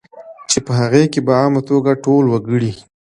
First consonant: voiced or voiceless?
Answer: voiceless